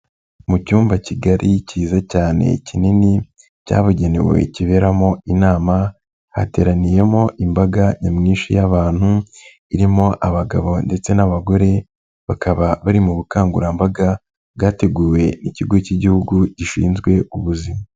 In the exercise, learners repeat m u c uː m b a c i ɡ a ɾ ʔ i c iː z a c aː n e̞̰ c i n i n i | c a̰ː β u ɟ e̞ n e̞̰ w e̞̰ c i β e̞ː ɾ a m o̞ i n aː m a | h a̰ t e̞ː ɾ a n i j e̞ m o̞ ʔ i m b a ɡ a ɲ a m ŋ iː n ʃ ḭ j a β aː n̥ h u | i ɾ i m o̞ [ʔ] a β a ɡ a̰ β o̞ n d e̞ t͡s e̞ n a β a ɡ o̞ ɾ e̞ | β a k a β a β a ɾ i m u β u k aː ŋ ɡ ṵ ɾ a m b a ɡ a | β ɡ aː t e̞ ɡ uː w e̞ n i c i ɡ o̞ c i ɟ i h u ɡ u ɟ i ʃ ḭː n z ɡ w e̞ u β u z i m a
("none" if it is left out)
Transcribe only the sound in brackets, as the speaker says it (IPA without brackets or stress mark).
ʔ